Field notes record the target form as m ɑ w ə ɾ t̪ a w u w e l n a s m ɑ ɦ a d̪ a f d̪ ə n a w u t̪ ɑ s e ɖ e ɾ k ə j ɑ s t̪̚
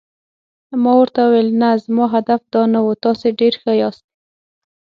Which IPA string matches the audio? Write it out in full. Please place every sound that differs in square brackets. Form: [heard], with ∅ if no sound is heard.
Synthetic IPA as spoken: m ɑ w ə ɾ t̪ a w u w e l n a [z] m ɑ ɦ a d̪ a f d̪ [ɑ] n a w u t̪ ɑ s e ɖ e ɾ [x] ə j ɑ s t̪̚